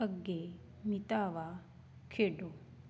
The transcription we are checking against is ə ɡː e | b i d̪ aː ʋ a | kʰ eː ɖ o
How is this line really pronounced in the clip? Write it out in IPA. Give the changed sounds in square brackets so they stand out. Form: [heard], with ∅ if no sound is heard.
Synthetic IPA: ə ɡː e | [m] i [t̪] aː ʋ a | kʰ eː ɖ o